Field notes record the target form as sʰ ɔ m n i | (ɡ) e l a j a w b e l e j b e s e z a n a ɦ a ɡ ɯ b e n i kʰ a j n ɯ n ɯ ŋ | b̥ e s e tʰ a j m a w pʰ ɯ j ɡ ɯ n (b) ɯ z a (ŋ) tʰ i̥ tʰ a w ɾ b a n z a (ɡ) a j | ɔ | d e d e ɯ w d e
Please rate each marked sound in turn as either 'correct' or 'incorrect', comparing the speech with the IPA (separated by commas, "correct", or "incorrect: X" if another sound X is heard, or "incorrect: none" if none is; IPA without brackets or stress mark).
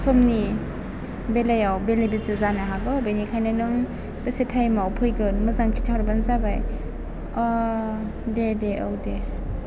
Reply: incorrect: b, incorrect: m, correct, incorrect: b